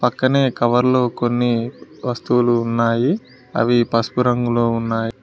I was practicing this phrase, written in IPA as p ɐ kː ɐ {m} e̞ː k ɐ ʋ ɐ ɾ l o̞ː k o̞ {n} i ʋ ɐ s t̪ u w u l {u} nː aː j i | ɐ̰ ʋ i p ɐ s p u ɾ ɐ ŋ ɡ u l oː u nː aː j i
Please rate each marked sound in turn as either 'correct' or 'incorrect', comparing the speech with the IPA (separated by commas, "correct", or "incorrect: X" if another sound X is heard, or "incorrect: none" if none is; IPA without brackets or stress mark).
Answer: incorrect: n, incorrect: nː, incorrect: uː